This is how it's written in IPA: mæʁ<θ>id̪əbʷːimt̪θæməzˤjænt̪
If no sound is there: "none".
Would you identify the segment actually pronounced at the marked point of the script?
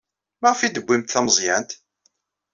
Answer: f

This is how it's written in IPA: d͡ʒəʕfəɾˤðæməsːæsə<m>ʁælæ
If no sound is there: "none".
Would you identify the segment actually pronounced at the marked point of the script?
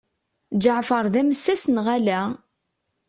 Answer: n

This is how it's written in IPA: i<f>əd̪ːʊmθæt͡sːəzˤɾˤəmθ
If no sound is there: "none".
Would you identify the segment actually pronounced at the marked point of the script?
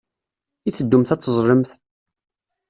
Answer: θ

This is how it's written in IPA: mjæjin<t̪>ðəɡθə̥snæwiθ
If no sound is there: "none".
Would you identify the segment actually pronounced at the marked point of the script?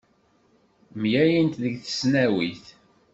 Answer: t̪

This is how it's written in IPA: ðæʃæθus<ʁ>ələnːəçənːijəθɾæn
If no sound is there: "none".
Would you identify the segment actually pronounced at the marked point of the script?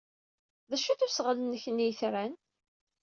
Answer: ʁ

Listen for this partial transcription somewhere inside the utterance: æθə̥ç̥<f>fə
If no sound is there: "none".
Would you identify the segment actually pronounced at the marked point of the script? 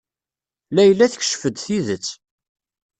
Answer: ʃ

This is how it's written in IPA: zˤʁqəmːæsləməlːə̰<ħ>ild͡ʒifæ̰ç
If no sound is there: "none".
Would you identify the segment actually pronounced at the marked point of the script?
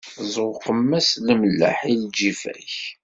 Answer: ħ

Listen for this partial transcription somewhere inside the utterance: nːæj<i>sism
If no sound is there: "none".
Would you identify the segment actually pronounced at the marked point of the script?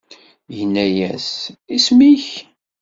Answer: æ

